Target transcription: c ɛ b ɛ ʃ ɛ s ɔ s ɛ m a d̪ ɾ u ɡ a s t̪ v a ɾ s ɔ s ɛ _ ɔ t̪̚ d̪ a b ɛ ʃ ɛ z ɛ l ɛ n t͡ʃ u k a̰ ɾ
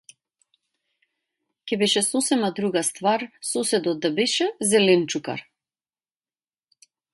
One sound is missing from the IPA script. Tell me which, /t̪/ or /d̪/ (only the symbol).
d̪